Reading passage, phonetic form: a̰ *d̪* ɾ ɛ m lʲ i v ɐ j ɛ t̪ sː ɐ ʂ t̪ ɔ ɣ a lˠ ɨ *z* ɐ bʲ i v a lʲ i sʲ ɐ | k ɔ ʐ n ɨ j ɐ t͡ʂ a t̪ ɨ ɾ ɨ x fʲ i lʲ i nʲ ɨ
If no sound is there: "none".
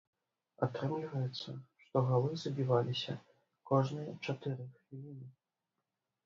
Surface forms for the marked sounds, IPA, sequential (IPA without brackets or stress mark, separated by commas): t̪, z